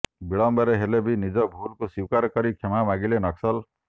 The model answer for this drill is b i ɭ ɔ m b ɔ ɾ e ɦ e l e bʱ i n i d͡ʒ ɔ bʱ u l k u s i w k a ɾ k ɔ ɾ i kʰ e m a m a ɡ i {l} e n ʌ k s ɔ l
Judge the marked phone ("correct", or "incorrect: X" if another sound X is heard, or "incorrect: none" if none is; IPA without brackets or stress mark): correct